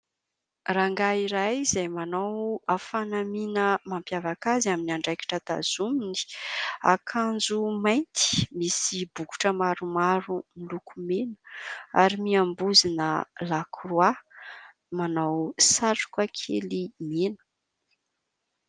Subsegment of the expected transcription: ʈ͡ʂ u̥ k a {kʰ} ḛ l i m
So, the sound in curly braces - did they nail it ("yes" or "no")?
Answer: yes